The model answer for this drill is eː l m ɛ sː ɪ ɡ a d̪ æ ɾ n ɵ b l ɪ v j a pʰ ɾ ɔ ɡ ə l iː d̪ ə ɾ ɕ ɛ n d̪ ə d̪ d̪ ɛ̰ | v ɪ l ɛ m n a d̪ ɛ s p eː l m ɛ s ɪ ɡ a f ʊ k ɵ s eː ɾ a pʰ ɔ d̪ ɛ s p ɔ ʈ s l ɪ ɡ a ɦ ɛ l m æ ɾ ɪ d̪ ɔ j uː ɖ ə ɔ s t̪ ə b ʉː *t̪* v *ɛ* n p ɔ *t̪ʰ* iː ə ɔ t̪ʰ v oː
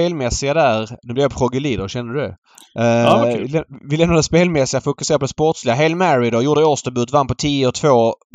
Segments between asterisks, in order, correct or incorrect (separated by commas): correct, incorrect, correct